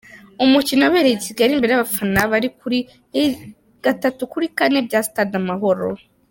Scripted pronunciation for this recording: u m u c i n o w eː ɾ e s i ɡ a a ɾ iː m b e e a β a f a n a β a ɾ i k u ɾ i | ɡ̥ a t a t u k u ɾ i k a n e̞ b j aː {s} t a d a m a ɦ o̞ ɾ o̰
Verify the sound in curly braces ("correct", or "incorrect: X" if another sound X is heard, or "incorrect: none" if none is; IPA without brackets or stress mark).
correct